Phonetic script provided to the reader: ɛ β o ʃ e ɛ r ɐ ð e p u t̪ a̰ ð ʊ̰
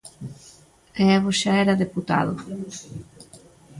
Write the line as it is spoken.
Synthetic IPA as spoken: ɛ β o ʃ a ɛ ɾ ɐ ð e p u t̪ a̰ ð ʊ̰